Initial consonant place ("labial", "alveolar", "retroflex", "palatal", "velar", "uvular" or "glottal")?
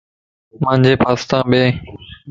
labial